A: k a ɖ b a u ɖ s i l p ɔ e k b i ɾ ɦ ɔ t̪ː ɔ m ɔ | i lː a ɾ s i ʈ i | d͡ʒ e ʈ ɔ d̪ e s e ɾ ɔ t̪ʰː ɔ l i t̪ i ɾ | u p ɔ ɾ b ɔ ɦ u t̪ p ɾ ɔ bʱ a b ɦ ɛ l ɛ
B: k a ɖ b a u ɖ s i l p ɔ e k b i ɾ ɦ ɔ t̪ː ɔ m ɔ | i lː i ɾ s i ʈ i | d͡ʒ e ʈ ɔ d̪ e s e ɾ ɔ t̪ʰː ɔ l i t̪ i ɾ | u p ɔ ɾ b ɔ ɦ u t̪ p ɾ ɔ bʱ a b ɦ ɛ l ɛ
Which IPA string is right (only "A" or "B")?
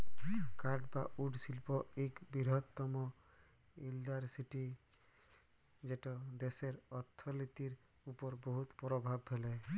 A